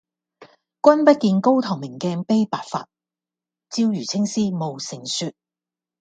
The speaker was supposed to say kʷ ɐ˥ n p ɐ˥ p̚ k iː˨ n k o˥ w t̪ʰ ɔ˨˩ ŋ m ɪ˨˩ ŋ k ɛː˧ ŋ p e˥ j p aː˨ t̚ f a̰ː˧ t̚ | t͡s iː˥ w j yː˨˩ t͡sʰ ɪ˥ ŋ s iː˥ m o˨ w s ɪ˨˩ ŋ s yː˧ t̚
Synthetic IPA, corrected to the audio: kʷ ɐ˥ n p ɐ˥ t̚ k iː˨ n k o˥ w t̪ʰ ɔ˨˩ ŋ m ɪ˨˩ ŋ k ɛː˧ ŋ p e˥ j p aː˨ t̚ f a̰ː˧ t̚ | t͡s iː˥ w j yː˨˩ t͡sʰ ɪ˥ ŋ s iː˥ m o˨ w s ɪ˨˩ ŋ s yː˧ t̚